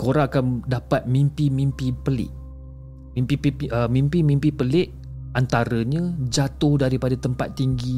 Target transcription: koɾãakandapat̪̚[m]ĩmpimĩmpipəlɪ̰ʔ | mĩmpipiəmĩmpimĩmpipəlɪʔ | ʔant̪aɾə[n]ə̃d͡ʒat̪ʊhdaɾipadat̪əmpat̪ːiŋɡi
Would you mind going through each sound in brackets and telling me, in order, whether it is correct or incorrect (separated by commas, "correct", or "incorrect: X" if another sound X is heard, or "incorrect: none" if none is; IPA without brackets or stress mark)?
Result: correct, incorrect: ɲ